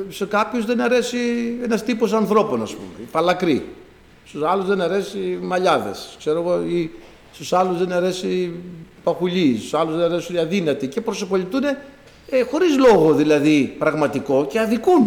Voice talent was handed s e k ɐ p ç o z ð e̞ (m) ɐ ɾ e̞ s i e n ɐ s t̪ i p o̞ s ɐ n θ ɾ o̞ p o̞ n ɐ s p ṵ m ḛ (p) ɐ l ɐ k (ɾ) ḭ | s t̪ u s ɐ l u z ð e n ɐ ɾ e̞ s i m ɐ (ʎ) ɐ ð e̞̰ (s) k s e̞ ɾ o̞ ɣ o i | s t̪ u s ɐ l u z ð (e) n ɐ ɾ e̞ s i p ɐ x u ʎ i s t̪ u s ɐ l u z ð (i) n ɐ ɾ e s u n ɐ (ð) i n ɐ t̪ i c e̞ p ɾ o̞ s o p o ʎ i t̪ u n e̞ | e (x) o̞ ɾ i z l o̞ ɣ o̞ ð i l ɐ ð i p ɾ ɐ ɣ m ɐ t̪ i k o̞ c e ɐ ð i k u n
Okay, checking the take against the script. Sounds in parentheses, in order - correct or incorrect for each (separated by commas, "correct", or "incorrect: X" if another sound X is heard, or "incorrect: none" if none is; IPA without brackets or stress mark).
incorrect: n, correct, correct, correct, correct, correct, incorrect: e, correct, correct